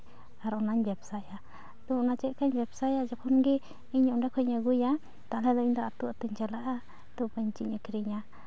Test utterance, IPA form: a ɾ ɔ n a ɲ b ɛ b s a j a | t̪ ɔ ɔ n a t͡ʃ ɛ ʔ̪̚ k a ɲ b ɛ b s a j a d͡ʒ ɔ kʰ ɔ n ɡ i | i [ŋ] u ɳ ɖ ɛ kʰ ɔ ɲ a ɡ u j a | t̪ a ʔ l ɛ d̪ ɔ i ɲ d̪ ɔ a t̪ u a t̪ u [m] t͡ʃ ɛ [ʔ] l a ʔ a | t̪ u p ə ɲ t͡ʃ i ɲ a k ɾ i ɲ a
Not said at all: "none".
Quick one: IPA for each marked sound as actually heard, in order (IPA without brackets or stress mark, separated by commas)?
ɲ, ɲ, none